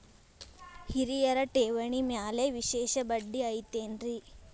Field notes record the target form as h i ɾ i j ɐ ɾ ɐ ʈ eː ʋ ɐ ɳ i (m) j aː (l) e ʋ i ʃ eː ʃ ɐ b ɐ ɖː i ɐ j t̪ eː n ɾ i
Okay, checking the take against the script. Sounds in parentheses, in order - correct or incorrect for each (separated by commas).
correct, correct